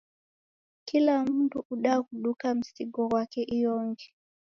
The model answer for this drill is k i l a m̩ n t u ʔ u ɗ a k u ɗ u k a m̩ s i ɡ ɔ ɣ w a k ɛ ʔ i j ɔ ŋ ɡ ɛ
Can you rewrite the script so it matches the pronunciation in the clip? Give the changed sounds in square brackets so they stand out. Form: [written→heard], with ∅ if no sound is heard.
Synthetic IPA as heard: k i l a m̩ n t u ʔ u ɗ a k u ɗ u k a m̩ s i ɡ ɔ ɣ w a k ɛ ʔ i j ɔ ŋ ɡ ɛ

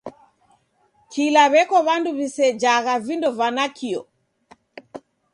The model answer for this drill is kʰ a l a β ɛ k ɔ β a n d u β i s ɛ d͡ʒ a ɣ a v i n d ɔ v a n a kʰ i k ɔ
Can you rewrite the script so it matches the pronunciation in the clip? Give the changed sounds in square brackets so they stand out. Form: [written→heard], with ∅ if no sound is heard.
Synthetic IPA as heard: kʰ [a→i] l a β ɛ k ɔ β a n d u β i s ɛ d͡ʒ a ɣ a v i n d ɔ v a n a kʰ i [k→∅] ɔ

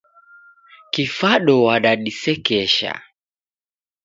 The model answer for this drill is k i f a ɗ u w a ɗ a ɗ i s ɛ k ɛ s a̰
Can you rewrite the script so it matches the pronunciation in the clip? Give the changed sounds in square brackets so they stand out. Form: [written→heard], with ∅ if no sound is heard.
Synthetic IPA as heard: k i f a ɗ [u→ɔ] w a ɗ a ɗ i s ɛ k ɛ [s→ʃ] a̰

